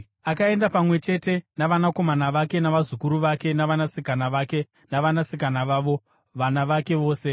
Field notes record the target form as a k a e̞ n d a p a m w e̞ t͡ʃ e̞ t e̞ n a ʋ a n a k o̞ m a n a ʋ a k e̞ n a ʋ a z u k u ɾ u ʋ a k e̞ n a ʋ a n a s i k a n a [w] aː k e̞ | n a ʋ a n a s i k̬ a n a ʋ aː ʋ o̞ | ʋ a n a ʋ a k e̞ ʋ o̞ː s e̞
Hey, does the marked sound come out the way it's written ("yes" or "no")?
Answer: no